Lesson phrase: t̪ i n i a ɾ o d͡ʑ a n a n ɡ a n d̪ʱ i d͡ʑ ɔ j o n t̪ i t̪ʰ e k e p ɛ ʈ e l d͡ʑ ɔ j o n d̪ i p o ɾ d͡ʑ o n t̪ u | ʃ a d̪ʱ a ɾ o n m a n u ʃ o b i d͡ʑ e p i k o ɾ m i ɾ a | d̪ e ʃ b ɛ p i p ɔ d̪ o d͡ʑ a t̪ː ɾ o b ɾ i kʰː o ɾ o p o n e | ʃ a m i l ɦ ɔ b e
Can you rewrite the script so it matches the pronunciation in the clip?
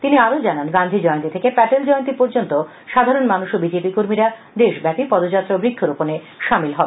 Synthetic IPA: t̪ i n i a ɾ o d͡ʑ a n a n ɡ a n d̪ʱ i d͡ʑ ɔ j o n t̪ i t̪ʰ e k e p ɛ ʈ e l d͡ʑ ɔ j o n t̪ i p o ɾ d͡ʑ o n t̪ o | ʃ a d̪ʱ a ɾ o n m a n u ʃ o b i d͡ʑ e p i k o ɾ m i ɾ a | d̪ e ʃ b ɛ p i p ɔ d̪ o d͡ʑ a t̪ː ɾ o b ɾ i kʰː o ɾ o p o n e | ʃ a m i l ɦ ɔ b e